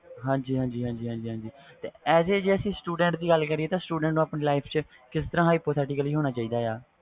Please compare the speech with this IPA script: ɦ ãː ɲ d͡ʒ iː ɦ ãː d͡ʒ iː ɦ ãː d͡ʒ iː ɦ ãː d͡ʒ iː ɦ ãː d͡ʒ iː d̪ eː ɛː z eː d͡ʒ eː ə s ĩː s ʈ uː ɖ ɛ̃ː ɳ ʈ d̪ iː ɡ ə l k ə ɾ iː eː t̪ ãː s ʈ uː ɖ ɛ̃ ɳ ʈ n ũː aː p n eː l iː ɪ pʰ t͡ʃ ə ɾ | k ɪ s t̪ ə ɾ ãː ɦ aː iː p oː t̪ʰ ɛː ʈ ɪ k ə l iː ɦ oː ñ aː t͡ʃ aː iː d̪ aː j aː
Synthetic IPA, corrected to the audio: ɦ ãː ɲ d͡ʒ iː ɦ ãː d͡ʒ iː ɦ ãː d͡ʒ iː ɦ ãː d͡ʒ iː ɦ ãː d͡ʒ iː t̪ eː ɛː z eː d͡ʒ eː ə s ĩː s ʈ uː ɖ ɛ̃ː ɳ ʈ d̪ iː ɡ ə l k ə ɾ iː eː t̪ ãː s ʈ uː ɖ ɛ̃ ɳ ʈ n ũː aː p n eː l aː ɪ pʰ t͡ʃ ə | k ɪ s t̪ ə ɾ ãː ɦ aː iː p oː t̪ʰ ɛː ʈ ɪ k ə l iː ɦ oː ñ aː t͡ʃ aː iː d̪ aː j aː